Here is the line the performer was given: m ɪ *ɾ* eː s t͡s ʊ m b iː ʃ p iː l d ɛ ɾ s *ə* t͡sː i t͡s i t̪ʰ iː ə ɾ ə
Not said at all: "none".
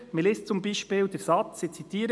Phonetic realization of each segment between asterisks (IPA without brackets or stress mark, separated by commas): l, ɑ